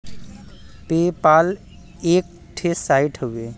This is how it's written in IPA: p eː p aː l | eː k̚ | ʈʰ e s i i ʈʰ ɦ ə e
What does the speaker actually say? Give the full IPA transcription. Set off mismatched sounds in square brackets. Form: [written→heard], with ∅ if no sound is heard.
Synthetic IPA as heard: p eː p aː l | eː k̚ | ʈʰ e s [i→a] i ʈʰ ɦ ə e